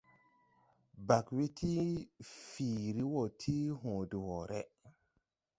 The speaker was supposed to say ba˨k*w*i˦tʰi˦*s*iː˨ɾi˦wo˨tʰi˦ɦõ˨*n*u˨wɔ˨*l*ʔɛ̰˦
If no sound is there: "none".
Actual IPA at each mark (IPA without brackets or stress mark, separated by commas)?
w, f, d, ɾ